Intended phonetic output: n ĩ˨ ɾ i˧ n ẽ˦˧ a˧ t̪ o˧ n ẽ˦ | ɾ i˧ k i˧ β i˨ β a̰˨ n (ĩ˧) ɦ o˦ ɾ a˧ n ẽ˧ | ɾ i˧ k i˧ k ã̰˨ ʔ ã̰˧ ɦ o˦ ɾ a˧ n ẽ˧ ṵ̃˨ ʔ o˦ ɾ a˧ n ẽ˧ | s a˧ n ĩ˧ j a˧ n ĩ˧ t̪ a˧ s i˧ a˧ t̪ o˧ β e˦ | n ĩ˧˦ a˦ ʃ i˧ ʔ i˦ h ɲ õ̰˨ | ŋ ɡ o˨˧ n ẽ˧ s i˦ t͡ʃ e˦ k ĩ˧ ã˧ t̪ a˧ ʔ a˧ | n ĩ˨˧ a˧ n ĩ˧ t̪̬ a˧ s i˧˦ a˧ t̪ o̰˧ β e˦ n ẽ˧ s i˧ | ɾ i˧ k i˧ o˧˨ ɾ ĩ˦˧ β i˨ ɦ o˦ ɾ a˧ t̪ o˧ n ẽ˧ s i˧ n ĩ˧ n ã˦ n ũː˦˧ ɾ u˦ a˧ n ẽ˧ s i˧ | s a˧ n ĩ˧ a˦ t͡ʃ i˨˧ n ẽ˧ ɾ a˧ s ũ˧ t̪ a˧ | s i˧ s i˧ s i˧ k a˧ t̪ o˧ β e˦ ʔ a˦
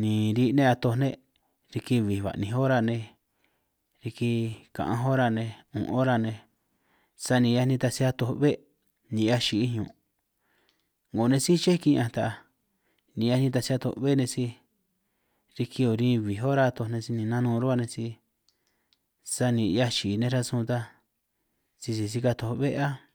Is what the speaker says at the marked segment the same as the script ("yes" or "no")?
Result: yes